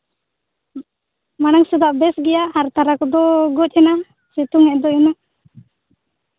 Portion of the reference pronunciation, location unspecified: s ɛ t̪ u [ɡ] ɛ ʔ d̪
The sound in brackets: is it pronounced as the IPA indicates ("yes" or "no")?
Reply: no